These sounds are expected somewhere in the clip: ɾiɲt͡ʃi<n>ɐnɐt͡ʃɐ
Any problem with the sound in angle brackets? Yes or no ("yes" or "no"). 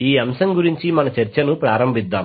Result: yes